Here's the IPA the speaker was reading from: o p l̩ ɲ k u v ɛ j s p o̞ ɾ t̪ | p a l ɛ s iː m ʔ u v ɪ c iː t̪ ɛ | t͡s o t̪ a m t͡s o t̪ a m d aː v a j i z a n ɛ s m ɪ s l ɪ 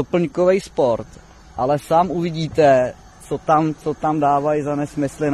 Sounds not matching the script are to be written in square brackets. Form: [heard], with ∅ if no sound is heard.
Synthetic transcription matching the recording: o p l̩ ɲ k [o] v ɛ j s p o̞ ɾ t̪ | [ʔ] a l ɛ s [aː] m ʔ u v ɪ [ɟ] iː t̪ ɛ | t͡s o t̪ a m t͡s o t̪ a m d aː v a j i z a n ɛ s m ɪ s l ɪ